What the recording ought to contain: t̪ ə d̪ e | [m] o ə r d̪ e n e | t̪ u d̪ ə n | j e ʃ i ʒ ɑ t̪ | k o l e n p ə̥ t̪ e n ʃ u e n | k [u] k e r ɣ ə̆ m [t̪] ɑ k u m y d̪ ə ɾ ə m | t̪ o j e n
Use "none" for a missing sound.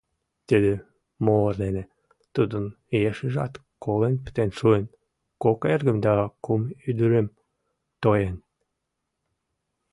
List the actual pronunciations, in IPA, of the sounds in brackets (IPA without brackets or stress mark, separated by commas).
m, o, d̪